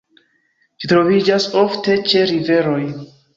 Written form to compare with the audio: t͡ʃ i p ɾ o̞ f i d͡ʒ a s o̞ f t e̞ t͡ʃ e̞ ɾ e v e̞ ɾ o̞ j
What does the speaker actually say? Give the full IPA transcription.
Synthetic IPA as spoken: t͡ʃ i t ɾ o̞ v i d͡ʒ a s o̞ f t e̞ t͡ʃ e̞ ɾ i v e̞ ɾ o̞ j